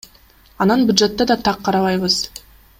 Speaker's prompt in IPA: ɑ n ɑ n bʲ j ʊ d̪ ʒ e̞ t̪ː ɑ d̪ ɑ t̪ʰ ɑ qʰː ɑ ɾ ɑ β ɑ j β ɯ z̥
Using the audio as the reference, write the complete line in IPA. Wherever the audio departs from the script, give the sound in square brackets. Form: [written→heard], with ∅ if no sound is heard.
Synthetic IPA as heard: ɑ n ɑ n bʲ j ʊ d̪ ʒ e̞ t̪ː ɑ d̪ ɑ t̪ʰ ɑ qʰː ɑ ɾ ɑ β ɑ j β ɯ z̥